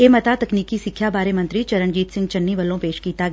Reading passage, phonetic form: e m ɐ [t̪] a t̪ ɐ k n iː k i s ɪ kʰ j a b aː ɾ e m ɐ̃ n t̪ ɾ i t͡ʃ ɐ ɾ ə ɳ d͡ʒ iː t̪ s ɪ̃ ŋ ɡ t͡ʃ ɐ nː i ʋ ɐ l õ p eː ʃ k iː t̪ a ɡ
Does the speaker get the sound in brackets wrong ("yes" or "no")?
no